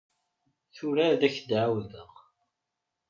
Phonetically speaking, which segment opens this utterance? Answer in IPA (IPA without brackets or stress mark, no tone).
θ